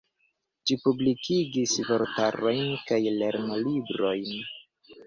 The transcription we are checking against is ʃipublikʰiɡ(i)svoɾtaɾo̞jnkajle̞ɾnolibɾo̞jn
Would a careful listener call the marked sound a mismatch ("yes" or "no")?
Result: no